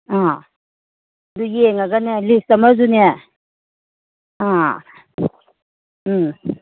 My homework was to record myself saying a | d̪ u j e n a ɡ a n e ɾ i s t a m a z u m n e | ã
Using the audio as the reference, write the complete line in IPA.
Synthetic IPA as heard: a | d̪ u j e ŋ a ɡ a n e l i s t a m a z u n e | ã